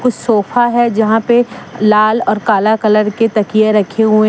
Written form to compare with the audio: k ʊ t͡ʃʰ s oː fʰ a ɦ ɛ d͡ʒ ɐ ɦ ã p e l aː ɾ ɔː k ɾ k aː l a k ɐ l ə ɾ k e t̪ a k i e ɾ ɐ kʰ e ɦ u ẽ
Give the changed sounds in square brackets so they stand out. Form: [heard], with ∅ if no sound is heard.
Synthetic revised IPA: k ʊ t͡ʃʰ s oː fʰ a ɦ ɛ d͡ʒ ɐ ɦ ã p e l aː [l] ɔː [∅] ɾ k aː l a k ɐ l ə ɾ k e t̪ [ɐ] k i e ɾ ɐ kʰ e ɦ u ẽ